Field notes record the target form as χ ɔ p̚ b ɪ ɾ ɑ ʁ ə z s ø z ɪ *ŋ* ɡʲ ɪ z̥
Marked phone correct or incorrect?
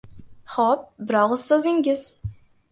correct